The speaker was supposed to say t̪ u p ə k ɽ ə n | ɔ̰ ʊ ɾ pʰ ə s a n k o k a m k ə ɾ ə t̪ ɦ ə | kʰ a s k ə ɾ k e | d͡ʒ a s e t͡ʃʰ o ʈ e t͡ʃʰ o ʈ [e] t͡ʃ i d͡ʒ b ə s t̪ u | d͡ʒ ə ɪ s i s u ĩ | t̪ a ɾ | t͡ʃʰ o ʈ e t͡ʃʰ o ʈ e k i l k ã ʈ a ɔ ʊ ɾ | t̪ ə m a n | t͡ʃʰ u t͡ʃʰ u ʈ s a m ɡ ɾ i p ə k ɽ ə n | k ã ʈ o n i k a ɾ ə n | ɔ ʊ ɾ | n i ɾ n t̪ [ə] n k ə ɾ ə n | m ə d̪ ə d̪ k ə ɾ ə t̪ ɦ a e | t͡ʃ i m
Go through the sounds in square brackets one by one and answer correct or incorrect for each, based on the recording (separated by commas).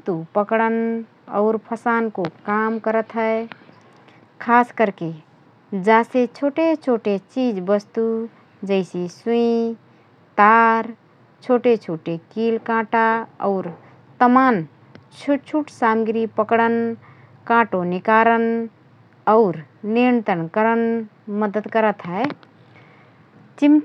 correct, correct